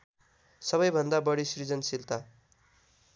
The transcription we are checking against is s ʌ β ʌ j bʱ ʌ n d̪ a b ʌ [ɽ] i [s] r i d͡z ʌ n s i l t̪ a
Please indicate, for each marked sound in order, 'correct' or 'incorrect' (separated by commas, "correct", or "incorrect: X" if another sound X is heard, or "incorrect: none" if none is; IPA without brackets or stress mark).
correct, correct